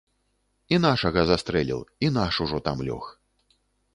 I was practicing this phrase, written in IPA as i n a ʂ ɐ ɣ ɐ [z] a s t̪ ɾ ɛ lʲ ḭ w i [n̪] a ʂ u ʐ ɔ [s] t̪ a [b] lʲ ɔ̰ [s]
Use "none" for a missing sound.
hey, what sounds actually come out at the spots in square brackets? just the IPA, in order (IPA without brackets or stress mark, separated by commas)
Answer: z, n̪, none, m, x